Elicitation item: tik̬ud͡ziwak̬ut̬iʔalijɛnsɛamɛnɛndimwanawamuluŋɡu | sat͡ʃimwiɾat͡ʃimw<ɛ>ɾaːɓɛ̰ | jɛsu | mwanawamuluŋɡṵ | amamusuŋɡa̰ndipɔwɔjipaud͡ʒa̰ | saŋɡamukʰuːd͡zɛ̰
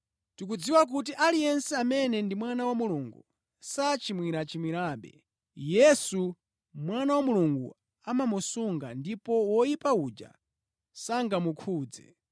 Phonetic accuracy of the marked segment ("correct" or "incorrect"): incorrect